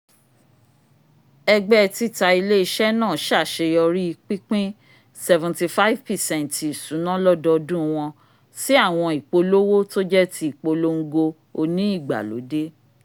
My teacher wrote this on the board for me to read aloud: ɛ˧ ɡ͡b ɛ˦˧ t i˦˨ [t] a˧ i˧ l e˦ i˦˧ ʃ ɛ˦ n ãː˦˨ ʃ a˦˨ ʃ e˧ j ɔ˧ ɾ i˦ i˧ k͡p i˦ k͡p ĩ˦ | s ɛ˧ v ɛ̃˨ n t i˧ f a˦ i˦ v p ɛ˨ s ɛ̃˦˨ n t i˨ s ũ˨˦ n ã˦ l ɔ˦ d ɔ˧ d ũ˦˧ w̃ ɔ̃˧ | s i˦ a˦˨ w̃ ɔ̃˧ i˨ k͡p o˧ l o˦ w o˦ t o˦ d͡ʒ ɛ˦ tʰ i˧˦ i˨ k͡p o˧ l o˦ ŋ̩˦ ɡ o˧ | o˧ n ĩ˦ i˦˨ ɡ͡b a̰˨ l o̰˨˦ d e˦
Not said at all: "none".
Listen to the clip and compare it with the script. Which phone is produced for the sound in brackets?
t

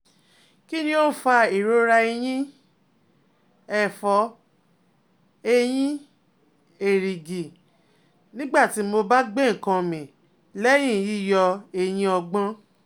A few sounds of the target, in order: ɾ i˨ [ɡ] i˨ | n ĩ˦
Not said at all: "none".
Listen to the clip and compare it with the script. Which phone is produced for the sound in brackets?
ɡ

